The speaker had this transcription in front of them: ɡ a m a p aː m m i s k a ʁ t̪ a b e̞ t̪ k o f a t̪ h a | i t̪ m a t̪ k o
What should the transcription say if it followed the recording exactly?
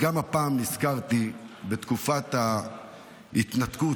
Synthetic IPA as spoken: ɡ a m a p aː m n i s k a ʁ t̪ i b e̞ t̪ k u f a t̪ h a | i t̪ n a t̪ k u